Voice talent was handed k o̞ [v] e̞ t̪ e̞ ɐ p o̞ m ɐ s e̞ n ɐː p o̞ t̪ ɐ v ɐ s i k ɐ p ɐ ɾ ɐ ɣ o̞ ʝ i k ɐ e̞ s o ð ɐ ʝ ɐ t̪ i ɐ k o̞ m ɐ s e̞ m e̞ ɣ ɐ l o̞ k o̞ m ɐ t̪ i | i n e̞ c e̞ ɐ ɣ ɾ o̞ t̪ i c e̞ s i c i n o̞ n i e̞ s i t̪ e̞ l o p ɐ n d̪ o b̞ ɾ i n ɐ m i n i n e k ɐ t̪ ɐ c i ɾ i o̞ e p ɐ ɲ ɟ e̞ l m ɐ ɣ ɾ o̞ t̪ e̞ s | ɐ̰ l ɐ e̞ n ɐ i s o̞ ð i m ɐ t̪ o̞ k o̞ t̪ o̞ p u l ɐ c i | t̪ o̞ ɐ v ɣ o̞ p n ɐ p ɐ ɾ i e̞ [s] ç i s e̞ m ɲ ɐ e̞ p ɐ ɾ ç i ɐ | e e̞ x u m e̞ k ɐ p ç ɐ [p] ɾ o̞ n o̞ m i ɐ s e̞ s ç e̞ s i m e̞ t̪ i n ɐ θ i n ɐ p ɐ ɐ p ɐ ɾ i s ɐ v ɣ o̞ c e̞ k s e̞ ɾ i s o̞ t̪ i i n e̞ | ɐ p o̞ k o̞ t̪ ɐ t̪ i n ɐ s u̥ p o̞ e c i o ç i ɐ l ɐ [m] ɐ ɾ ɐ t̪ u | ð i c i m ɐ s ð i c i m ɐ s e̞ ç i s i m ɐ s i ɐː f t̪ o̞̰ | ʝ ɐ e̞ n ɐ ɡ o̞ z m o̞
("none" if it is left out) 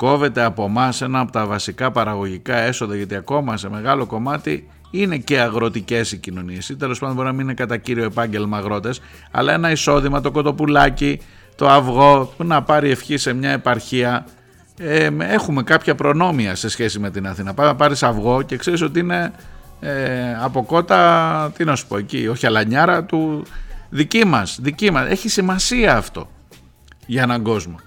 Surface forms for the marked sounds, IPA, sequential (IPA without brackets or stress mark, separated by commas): v, f, p, ɲ